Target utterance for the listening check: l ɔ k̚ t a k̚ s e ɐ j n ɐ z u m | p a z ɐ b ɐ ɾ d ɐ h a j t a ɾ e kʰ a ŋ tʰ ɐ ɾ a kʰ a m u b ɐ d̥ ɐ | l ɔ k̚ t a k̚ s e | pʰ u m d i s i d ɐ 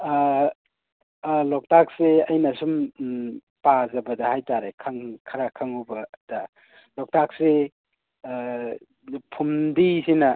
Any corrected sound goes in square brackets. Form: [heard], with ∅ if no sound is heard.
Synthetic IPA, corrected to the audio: l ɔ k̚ t a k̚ s e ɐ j n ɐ [s] u m | p a z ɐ b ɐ [∅] d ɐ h a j t a ɾ e kʰ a ŋ [kʰ] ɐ ɾ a kʰ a [ŋ] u b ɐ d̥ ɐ | l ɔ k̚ t a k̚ s e | pʰ u m d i s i [n] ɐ

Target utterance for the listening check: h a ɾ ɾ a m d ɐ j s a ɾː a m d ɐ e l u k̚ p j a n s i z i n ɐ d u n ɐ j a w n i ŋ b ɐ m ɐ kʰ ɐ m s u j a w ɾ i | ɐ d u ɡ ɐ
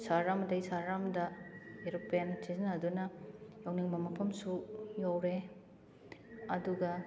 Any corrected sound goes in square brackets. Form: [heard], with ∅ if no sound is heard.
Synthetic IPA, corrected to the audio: [s] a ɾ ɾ a m d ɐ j s a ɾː a m d ɐ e [ɾ] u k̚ p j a n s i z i n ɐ d u n ɐ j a w n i ŋ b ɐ m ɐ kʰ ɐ m s u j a w ɾ [e] | ɐ d u ɡ ɐ

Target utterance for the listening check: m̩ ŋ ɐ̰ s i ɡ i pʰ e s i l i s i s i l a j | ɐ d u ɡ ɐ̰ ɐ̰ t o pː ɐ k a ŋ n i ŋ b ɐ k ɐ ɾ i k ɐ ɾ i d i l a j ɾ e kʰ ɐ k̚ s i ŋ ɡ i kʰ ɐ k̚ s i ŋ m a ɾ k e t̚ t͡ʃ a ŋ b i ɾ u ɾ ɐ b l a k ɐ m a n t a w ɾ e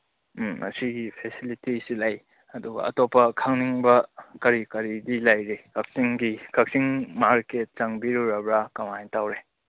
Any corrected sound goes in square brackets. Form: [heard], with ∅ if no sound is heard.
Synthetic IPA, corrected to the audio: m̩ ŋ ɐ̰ s i ɡ i pʰ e s i l i [t] i s i l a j | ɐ d u ɡ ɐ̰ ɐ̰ t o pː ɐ [kʰ] a ŋ n i ŋ b ɐ k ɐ ɾ i k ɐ ɾ i d i l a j ɾ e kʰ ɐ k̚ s i ŋ ɡ i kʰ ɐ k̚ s i ŋ m a ɾ k e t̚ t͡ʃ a ŋ b i ɾ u ɾ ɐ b [ɾ] a k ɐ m a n t a w ɾ e

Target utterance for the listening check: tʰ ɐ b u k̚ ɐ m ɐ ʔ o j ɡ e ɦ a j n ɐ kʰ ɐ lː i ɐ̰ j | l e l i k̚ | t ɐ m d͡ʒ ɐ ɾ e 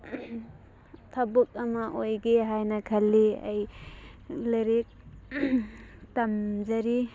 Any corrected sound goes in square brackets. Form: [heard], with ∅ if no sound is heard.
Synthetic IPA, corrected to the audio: tʰ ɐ b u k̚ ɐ m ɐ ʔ o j ɡ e ɦ a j n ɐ kʰ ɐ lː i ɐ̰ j | l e [ɾ] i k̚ | t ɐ m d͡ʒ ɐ ɾ [i]

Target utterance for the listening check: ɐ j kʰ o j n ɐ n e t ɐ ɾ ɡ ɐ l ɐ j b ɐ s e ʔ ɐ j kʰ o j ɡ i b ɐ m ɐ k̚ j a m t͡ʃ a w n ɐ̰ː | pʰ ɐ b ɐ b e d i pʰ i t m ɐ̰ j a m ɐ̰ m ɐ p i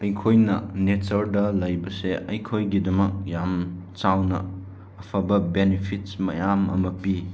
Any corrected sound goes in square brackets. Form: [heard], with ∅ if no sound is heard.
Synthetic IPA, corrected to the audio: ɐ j kʰ o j n ɐ n e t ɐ ɾ [d] ɐ l ɐ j b ɐ s e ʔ ɐ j kʰ o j ɡ i [d] ɐ m ɐ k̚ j a m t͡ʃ a w n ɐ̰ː | pʰ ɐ b ɐ b e [n] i pʰ i t m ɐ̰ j a m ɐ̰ m ɐ p i

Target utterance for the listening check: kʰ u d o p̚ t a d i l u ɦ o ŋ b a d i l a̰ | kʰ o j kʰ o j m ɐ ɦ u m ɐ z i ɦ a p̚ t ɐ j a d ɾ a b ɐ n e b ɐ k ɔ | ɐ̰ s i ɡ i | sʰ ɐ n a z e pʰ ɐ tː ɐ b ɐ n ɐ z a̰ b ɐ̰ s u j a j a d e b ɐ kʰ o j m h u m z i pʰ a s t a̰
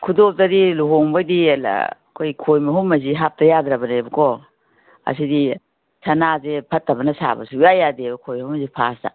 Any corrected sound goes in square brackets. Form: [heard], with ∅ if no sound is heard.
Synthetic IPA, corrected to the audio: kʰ u d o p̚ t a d i l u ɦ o ŋ b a d i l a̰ | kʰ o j kʰ o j m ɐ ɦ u m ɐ z i ɦ a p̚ t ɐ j a d ɾ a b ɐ n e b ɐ k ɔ | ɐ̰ s i [d] i | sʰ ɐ n a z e pʰ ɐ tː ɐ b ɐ n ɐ [s] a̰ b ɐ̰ s u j a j a d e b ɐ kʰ o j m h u m z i pʰ a s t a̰

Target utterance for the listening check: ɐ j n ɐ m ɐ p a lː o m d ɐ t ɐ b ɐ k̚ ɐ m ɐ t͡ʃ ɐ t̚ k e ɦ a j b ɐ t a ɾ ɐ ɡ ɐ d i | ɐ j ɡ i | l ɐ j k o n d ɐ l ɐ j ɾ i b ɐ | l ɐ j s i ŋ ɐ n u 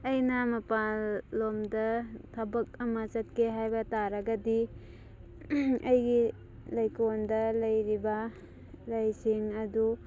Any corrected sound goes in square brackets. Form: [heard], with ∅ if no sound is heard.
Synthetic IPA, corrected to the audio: ɐ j n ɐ m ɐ p a lː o m d ɐ [tʰ] ɐ b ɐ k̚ ɐ m ɐ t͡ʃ ɐ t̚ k e ɦ a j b ɐ t a ɾ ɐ ɡ ɐ d i | ɐ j ɡ i | l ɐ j k o n d ɐ l ɐ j ɾ i b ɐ | l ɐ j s i ŋ ɐ [d] u

